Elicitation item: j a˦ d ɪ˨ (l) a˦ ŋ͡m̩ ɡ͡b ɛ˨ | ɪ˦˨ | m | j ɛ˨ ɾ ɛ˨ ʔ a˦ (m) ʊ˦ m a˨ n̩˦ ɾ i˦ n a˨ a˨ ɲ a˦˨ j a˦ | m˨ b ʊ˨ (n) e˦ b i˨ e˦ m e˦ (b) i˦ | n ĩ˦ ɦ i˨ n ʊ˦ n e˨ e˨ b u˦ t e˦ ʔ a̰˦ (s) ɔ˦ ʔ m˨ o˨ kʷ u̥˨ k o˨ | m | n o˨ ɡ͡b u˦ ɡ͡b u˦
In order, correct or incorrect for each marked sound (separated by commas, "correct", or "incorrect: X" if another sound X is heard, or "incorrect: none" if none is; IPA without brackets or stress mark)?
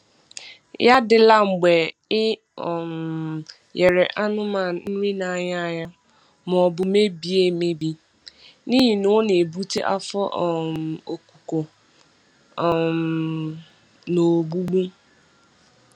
correct, incorrect: n, incorrect: m, correct, incorrect: f